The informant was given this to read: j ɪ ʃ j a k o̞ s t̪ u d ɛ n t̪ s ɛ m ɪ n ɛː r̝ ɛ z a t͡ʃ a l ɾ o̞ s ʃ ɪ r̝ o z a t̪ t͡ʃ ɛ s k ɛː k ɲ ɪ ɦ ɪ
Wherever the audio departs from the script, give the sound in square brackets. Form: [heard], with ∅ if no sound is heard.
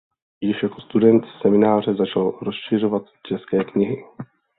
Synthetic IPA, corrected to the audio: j ɪ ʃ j a k o̞ s t̪ u d ɛ n t̪ s ɛ m ɪ n [aː] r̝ ɛ z a t͡ʃ a l ɾ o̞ s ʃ ɪ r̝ o [v] a t̪ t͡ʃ ɛ s k ɛː k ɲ ɪ ɦ ɪ

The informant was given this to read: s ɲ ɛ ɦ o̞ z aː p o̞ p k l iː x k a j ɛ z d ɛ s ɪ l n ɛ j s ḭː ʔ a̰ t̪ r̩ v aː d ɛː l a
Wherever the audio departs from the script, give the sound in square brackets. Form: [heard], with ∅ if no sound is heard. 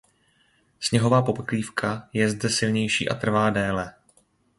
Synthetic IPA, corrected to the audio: s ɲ ɛ ɦ o̞ [v] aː p o̞ p k l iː [f] k a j ɛ z d ɛ s ɪ l [ɲ] ɛ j [ʃ] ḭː ʔ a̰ t̪ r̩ v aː d ɛː l [ɛ]

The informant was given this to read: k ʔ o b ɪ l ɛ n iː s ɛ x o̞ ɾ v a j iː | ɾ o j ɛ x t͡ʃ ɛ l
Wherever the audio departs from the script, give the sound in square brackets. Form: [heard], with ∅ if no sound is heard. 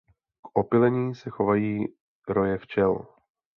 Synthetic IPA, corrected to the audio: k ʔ o [p] ɪ l ɛ [ɲ] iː s ɛ x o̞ [∅] v a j iː | ɾ o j ɛ [f] t͡ʃ ɛ l

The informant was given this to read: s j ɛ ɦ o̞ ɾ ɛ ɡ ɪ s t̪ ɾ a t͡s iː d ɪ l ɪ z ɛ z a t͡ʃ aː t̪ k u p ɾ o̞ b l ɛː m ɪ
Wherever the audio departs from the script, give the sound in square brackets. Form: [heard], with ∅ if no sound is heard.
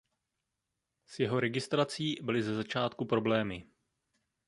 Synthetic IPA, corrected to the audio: s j ɛ ɦ o̞ ɾ ɛ ɡ ɪ s t̪ ɾ a t͡s iː [b] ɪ l ɪ z ɛ z a t͡ʃ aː t̪ k u p ɾ o̞ b l ɛː m ɪ

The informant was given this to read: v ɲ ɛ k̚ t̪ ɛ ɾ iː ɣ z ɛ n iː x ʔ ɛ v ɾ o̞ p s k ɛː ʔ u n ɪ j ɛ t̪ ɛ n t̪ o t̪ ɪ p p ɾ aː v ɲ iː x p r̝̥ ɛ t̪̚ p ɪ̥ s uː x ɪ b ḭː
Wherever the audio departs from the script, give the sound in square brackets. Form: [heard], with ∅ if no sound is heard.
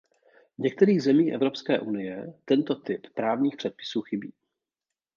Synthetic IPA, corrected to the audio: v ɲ ɛ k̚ t̪ ɛ ɾ iː ɣ z ɛ [m] iː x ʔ ɛ v ɾ o̞ p s k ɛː ʔ u n ɪ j ɛ t̪ ɛ n t̪ o t̪ ɪ p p ɾ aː v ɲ iː x p r̝̥ ɛ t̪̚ p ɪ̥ s uː x ɪ b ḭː

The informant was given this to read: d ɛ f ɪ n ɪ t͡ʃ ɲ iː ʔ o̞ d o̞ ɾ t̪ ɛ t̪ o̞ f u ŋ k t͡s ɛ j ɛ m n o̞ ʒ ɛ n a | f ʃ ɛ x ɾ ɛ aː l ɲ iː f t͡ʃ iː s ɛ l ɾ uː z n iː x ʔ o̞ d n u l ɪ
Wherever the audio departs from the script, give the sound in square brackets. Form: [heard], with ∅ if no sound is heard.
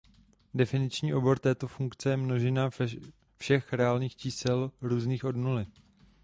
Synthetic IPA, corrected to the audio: d ɛ f ɪ n ɪ t͡ʃ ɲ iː ʔ o̞ [b] o̞ ɾ t̪ [ɛː] t̪ o̞ f u ŋ k t͡s ɛ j ɛ m n o̞ ʒ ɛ n a | f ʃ ɛ x ɾ ɛ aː l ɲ iː [x] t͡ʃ iː s ɛ l ɾ uː z n iː x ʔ o̞ d n u l ɪ

